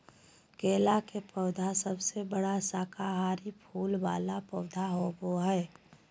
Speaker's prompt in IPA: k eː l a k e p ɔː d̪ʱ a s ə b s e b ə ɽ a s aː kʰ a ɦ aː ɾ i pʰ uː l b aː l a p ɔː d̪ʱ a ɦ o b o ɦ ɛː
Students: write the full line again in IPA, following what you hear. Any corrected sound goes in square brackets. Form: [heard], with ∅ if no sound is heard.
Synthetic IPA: k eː l a k e p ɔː d̪ʱ a s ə b s e b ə ɽ a s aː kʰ a ɦ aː ɾ i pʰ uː l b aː l a p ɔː d̪ʱ a ɦ o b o ɦ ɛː